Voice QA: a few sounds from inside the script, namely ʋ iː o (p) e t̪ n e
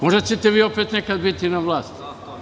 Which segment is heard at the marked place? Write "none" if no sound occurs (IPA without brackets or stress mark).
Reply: p